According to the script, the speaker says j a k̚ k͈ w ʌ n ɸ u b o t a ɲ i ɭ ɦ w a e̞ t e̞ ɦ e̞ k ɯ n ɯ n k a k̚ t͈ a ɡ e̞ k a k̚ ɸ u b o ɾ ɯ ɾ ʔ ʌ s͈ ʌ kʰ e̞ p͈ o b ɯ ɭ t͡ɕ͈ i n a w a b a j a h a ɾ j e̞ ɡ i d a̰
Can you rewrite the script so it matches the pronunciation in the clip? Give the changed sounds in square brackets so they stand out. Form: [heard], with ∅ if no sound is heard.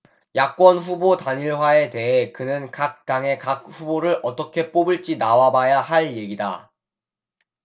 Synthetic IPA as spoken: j a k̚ k͈ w ʌ n ɸ u b o t a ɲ i ɭ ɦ w a e̞ t e̞ ɦ e̞ k ɯ n ɯ n k a k̚ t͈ a [ŋ] e̞ k a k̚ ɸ u b o ɾ ɯ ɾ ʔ ʌ [t͈] ʌ kʰ e̞ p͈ o b ɯ ɭ t͡ɕ͈ i n a w a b a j a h a [ɭ] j e̞ ɡ i d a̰